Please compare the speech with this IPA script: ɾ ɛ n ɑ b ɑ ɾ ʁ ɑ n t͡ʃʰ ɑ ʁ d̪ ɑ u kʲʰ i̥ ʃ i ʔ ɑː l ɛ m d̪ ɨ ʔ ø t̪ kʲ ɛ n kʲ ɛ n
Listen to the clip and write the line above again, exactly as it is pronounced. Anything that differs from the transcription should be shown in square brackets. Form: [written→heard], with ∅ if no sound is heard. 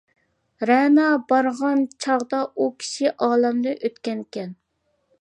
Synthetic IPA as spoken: ɾ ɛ n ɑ b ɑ ɾ ʁ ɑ n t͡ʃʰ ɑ ʁ d̪ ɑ u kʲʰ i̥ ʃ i ʔ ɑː l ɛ m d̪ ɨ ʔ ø t̪ kʲ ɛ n kʲ ɛ n